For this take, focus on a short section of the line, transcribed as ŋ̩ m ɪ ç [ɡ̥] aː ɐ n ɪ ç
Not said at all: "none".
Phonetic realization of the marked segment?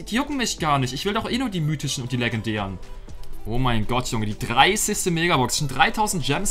ɡ̥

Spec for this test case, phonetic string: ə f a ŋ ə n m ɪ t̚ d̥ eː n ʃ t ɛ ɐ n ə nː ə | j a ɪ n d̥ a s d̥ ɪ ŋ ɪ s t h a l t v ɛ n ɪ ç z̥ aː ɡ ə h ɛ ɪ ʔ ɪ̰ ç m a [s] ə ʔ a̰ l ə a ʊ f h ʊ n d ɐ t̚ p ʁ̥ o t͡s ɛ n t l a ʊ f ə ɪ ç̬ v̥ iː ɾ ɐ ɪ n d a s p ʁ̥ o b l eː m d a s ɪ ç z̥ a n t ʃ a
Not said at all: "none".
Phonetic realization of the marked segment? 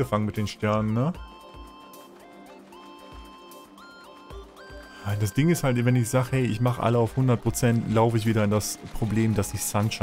χ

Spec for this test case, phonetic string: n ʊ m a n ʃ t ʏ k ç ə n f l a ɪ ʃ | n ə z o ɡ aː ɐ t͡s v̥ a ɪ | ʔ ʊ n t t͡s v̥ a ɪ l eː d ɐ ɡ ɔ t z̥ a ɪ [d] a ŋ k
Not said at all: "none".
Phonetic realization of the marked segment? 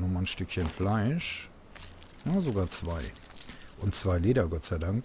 d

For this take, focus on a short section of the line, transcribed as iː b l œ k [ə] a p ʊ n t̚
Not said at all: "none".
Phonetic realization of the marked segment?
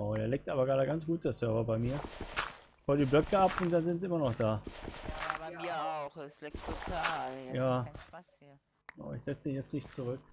ə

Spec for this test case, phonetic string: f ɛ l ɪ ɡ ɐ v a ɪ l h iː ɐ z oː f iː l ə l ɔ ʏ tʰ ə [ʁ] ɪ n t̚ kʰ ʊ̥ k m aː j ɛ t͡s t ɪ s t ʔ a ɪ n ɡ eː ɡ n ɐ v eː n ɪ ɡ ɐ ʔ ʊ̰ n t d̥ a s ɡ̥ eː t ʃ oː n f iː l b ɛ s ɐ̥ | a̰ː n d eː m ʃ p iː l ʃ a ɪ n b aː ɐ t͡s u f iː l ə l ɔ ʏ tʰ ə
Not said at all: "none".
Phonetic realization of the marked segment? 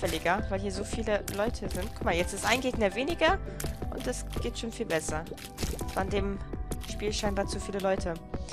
z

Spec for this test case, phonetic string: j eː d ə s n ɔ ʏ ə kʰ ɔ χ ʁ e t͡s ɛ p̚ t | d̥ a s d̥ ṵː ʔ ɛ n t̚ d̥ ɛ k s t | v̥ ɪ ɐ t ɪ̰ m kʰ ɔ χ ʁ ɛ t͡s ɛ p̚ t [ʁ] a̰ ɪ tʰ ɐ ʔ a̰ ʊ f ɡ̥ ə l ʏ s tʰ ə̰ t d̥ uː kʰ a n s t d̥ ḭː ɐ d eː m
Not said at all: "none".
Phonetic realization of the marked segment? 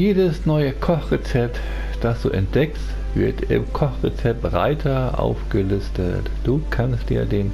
ʁ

